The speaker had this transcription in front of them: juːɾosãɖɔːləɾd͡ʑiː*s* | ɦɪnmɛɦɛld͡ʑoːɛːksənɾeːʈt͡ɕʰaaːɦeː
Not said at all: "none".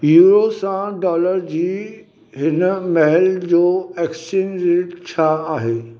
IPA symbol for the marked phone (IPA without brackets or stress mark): none